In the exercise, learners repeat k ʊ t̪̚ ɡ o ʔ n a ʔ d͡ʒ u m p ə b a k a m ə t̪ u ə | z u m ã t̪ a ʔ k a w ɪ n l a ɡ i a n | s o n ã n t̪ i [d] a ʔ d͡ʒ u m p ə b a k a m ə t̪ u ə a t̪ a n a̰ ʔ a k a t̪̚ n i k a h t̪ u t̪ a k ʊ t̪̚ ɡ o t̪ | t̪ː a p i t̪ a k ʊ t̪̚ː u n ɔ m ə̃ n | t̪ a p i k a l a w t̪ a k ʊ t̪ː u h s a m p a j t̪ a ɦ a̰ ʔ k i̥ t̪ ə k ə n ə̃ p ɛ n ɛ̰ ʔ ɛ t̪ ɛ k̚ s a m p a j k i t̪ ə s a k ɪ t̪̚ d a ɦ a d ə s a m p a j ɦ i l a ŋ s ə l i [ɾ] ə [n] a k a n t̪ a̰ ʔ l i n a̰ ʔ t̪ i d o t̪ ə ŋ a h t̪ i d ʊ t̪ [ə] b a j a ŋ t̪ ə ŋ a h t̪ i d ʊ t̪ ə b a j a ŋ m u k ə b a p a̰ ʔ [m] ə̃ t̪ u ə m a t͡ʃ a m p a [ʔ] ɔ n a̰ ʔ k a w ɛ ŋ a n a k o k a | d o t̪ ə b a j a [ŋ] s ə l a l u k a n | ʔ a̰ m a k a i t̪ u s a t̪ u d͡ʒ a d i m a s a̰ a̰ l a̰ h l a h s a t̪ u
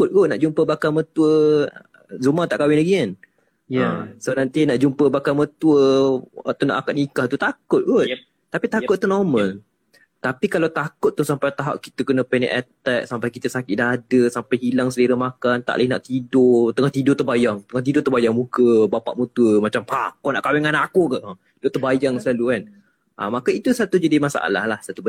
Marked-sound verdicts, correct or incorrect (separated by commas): incorrect, correct, incorrect, correct, correct, incorrect, correct